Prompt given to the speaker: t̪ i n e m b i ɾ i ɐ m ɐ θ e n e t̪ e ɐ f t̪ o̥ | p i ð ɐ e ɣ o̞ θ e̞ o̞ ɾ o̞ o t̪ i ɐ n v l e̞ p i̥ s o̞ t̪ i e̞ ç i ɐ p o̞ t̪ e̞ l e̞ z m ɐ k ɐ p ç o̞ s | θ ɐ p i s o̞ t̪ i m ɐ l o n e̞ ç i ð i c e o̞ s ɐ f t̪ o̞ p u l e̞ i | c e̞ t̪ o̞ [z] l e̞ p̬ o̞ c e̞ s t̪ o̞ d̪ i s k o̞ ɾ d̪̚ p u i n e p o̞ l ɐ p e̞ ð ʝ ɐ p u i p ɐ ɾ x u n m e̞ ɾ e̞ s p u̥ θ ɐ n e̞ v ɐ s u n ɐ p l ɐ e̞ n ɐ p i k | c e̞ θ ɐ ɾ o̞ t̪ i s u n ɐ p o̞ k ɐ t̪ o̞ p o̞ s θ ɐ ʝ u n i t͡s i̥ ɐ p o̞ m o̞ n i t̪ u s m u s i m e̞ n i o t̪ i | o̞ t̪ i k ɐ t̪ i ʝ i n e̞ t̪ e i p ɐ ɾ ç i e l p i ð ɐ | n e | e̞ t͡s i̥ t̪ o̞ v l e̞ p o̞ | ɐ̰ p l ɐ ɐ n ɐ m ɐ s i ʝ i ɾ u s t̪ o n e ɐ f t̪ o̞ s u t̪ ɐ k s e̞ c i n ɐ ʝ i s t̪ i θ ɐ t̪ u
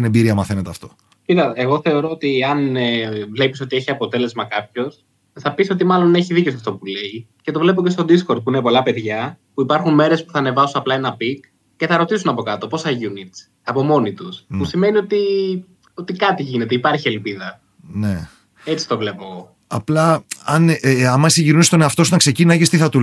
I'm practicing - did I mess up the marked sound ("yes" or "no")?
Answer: yes